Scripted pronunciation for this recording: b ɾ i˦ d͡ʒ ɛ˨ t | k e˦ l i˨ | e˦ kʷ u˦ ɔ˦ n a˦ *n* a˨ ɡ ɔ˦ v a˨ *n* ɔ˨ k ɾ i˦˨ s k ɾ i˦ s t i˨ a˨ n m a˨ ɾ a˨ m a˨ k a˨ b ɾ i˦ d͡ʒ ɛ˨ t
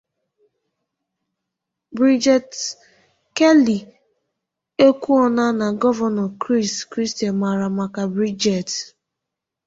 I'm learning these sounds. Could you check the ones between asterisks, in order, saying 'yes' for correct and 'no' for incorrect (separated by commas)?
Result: yes, yes